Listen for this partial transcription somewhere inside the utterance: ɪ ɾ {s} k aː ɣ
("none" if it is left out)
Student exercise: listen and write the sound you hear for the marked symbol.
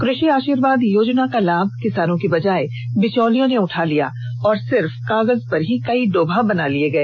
f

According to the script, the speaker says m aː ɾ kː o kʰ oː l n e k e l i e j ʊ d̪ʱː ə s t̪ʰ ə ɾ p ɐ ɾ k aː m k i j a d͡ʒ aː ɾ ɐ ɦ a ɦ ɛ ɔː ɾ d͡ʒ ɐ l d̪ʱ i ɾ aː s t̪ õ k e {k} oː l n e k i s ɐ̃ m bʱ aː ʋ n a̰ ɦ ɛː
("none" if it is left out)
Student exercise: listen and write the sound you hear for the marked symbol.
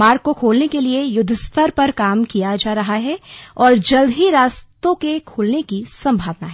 kʰ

